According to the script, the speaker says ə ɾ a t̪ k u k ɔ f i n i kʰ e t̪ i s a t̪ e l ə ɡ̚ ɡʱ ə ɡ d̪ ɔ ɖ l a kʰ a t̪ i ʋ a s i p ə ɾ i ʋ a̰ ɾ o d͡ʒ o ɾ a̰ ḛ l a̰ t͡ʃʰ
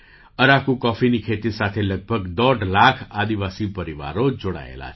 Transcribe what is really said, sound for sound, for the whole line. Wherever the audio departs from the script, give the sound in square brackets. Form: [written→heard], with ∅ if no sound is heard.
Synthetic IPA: ə ɾ a [t̪→∅] k u k ɔ f i n i kʰ e t̪ i s a [t̪→t̪ʰ] e l ə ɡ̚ [ɡʱ→bʱ] ə ɡ d̪ ɔ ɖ l a kʰ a [t̪→d̪] i ʋ a s i p ə ɾ i ʋ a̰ ɾ o d͡ʒ o [ɾ→ɽ] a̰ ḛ l a̰ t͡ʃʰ